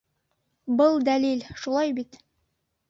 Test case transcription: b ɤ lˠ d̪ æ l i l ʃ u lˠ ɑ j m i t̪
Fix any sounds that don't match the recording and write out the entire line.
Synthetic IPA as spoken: b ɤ lˠ d̪ æ l i l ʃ u lˠ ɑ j b i t̪